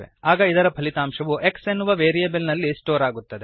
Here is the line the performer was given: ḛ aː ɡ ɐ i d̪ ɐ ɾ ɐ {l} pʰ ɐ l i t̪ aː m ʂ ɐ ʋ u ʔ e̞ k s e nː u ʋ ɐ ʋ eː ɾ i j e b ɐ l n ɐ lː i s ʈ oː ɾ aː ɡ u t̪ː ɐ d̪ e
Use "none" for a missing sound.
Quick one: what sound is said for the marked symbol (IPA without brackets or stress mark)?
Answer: none